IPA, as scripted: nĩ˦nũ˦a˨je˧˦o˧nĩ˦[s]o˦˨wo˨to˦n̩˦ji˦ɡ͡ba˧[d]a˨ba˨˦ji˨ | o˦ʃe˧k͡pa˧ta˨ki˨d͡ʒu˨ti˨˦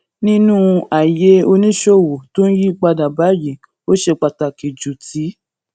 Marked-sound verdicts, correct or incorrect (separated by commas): incorrect, correct